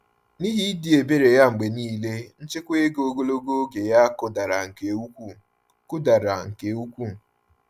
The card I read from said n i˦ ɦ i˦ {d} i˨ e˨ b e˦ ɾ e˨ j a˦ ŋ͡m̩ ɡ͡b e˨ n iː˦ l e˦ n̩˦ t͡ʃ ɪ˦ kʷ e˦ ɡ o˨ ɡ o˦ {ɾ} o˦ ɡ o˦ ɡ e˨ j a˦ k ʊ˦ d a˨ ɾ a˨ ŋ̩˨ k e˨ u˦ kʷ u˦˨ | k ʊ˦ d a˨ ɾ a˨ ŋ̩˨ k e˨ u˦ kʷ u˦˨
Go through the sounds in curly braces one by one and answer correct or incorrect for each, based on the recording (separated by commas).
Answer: correct, incorrect